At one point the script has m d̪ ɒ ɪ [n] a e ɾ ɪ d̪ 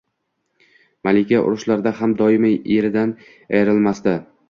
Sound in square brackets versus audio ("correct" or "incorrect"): incorrect